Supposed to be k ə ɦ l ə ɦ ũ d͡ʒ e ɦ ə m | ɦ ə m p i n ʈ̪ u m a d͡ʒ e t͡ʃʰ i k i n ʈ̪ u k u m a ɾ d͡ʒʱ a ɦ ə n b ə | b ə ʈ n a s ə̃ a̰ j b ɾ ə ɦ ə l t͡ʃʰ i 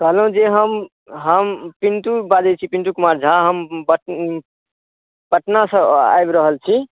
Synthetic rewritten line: k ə ɦ l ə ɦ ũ d͡ʒ e ɦ ə m | ɦ ə m p i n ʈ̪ u b a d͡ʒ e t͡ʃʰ i p i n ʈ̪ u k u m a ɾ d͡ʒʱ a ɦ ə m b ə | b ə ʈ n a s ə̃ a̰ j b ɾ ə ɦ ə l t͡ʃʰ i